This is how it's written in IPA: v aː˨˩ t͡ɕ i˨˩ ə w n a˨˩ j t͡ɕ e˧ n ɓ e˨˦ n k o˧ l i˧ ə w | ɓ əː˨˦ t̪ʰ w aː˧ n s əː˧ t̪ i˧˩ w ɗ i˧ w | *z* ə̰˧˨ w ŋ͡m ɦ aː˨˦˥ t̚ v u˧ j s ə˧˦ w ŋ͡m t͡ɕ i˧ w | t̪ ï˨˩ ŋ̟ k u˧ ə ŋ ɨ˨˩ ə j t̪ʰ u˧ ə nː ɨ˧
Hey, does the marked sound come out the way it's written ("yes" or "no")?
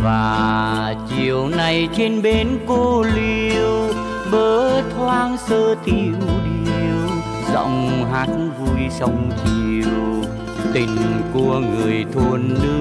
yes